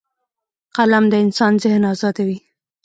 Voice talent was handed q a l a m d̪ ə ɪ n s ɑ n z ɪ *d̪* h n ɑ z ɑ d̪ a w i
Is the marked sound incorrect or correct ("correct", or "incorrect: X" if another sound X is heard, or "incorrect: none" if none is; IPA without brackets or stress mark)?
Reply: incorrect: none